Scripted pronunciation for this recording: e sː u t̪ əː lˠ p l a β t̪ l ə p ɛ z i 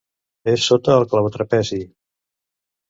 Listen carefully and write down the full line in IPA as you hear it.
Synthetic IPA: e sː o t̪ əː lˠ k l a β t̪ ɾ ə p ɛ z i